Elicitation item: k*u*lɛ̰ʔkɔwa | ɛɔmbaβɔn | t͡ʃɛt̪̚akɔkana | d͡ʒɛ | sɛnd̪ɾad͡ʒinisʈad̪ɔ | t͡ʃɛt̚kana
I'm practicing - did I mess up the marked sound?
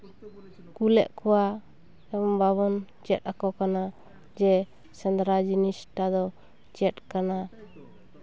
no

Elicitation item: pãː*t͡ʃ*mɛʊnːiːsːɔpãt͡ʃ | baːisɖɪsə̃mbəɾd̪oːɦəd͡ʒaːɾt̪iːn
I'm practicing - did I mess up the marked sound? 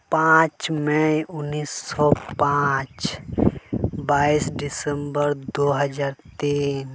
no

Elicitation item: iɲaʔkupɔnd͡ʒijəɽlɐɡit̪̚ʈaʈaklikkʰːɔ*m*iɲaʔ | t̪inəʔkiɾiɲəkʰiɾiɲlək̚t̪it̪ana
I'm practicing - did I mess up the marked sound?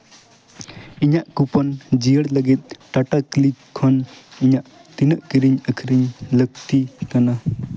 yes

